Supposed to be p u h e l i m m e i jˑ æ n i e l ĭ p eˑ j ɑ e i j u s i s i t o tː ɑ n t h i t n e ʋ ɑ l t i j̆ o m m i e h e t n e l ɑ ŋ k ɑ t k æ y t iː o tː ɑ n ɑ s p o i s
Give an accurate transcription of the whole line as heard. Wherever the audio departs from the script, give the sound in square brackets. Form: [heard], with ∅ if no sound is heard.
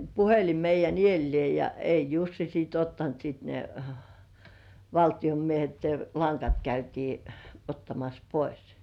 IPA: p u h e l i m m e i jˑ æ n i e [lː] ĭ [∅] eˑ j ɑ e i j u [sː] i s [iː] t o tː ɑ n t [s] i t n e ʋ ɑ l t i j̆ o m m i e h e t n e l ɑ ŋ k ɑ t k æ y t iː o tː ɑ [m] ɑ s p o i s